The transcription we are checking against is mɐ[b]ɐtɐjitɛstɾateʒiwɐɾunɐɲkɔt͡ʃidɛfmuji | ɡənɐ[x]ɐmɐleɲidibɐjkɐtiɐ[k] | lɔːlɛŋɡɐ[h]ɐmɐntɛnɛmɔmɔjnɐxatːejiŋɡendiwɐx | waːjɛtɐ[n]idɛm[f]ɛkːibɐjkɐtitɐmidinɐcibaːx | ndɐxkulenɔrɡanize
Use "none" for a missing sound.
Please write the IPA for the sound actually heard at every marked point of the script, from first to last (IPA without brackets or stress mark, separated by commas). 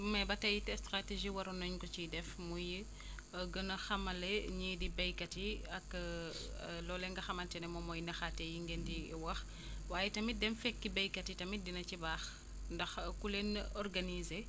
b, x, k, x, m, f